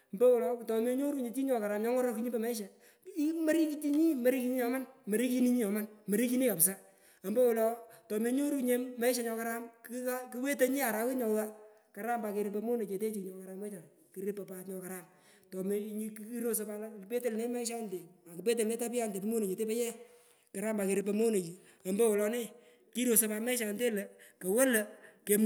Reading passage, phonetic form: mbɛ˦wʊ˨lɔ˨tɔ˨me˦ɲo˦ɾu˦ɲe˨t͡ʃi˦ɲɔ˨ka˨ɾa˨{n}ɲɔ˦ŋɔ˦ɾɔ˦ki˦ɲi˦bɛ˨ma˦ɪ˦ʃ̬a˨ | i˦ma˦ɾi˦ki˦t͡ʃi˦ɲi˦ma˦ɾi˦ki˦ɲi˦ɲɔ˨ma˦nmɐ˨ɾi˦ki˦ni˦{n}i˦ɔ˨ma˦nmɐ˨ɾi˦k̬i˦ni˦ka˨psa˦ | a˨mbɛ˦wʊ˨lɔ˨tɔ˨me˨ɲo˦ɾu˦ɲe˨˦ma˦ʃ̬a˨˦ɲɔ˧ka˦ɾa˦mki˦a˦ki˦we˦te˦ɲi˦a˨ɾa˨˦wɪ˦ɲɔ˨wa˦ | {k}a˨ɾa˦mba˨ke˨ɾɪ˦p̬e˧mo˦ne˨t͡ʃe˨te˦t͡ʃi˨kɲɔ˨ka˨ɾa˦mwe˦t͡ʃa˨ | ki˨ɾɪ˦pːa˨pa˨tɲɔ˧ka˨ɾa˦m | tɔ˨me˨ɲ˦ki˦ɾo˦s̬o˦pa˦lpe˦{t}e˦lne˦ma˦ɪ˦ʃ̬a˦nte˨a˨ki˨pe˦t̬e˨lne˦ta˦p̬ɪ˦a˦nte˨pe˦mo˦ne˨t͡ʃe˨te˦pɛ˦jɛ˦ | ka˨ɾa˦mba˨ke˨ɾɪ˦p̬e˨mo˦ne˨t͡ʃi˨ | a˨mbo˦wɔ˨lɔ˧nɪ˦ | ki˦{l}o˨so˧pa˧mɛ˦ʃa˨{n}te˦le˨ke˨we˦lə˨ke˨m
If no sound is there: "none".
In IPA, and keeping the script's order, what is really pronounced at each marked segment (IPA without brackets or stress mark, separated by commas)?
m, ɲ, k, t, ɾ, n